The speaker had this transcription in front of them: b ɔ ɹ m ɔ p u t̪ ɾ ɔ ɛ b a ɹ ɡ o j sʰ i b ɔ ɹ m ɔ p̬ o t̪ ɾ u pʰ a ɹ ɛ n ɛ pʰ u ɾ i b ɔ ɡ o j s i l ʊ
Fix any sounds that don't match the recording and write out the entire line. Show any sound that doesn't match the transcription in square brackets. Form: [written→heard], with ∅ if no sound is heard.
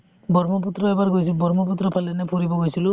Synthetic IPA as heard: b ɔ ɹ m ɔ p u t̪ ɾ ɔ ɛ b a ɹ ɡ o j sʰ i b ɔ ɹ m ɔ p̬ [o→u] t̪ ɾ [u→ɔ] pʰ a [ɹ→l] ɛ n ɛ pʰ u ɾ i b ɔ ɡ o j s i l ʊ